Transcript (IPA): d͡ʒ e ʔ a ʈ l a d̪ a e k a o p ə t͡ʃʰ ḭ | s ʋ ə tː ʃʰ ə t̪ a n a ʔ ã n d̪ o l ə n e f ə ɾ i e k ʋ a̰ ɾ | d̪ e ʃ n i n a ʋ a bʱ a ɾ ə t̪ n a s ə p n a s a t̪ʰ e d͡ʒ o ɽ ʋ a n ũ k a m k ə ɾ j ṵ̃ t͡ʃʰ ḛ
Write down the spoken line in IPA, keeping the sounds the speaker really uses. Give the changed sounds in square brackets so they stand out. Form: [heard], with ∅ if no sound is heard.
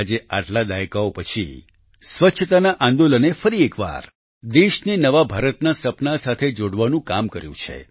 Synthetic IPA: d͡ʒ e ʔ a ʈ l a d̪ a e k a o p ə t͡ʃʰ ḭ | s ʋ ə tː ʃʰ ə t̪ a n a ʔ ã n d̪ o l ə n e f ə ɾ i e k ʋ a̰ ɾ | d̪ e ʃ n i n [ə] ʋ a bʱ a ɾ ə t̪ n a s ə p n a s a t̪ʰ e d͡ʒ o ɽ ʋ a n ũ k a m k ə ɾ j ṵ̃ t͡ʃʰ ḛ

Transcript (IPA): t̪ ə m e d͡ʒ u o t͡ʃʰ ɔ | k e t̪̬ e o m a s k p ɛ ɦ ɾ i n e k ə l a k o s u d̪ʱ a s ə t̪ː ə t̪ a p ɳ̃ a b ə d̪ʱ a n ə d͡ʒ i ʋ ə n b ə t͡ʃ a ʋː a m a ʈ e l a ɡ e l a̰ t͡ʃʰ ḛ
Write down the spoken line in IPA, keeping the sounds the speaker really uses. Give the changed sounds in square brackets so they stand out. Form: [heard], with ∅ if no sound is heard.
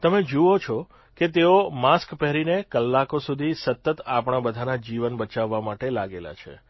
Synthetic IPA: t̪ ə m e d͡ʒ u o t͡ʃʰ ɔ | k e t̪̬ e o m a s k p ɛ ɦ ɾ i n e k ə [lː] a k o s u d̪ʱ [i] s ə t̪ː ə t̪ a p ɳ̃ a b ə d̪ʱ a n [a] d͡ʒ i ʋ ə n b ə t͡ʃ a ʋː a m a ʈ e l a ɡ e l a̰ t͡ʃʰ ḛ

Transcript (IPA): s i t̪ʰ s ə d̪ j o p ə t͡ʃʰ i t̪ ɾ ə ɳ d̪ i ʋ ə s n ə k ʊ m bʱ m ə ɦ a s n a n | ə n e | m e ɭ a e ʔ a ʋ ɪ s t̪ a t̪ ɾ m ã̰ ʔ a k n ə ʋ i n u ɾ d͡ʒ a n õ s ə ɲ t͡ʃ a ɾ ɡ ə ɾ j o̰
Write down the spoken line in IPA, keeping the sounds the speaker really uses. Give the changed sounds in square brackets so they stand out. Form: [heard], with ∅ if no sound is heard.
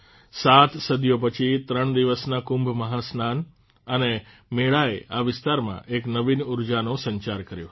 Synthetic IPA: s [a] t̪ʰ s ə d̪ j o p ə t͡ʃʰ i t̪ ɾ ə ɳ d̪ i ʋ ə s n [a] k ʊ m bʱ m ə ɦ a s n a n | ə n e | m e ɭ a e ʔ a ʋ ɪ s t̪ a [∅] ɾ m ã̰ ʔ [e] k n ə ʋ i n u ɾ d͡ʒ a n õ s ə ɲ t͡ʃ a ɾ [k] ə ɾ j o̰

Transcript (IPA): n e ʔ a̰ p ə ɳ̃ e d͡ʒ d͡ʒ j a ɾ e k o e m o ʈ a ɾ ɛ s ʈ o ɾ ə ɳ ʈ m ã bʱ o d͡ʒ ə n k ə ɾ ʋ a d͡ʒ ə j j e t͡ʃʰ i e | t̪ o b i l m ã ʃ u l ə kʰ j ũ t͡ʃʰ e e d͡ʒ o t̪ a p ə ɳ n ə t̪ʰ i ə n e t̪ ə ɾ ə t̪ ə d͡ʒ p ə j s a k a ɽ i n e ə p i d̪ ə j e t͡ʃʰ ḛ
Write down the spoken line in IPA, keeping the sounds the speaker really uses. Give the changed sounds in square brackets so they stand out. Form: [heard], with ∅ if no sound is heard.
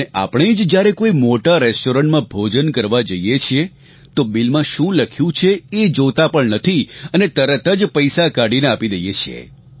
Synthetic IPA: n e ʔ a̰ p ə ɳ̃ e d͡ʒ d͡ʒ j a ɾ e k o [i] m o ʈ a ɾ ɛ s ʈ o ɾ ə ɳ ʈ m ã bʱ o d͡ʒ ə n k ə ɾ ʋ a d͡ʒ ə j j e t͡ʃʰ i e | t̪ o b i l m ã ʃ [ũ] l ə kʰ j ũ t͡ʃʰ e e d͡ʒ o t̪ a p ə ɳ n ə t̪ʰ i ə n e t̪ ə ɾ ə t̪ ə d͡ʒ p ə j s a k a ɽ i n e [a] p i d̪ ə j e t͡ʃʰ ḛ

